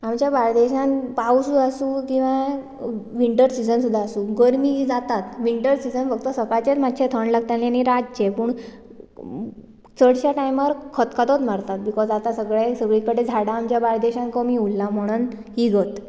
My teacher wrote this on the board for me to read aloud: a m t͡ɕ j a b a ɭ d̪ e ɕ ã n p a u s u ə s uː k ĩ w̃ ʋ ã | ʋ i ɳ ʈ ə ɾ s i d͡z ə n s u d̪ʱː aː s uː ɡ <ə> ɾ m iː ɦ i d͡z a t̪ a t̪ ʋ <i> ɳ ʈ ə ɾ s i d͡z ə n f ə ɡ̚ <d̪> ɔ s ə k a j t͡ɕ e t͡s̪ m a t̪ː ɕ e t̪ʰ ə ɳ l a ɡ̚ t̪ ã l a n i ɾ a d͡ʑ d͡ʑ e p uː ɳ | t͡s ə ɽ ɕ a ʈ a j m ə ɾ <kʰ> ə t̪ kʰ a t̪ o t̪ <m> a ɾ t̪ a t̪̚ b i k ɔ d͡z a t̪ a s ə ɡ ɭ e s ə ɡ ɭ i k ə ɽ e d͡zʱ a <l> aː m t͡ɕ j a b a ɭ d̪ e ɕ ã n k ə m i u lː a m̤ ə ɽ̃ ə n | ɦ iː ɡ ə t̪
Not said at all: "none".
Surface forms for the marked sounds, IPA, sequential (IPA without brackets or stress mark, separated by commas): ə, i, t̪, kʰ, m, ɽ